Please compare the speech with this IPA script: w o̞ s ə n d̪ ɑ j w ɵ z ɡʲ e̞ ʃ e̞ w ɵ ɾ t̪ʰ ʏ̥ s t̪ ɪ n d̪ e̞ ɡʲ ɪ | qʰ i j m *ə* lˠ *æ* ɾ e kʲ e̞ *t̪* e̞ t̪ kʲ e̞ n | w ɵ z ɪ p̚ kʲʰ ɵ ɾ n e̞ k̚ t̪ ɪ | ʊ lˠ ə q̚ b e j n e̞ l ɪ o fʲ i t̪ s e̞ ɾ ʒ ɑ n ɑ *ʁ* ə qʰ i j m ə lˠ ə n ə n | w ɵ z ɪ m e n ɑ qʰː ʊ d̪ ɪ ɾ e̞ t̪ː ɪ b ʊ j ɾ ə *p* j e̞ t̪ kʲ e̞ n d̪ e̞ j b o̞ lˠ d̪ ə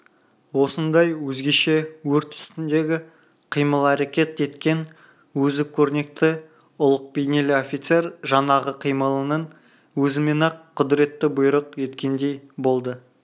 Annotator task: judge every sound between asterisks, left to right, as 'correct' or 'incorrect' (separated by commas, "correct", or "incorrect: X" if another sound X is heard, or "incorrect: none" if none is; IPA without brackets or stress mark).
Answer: correct, correct, correct, correct, incorrect: q